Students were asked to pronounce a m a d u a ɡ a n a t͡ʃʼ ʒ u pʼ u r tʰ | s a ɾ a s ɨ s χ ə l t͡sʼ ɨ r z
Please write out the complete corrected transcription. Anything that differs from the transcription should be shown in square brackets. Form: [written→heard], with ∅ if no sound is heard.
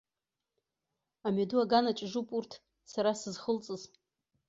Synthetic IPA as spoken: a m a d u a ɡ a n a t͡ʃʼ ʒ u pʼ u r tʰ | s a ɾ a s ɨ [s→z] χ ə l t͡sʼ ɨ [r→∅] z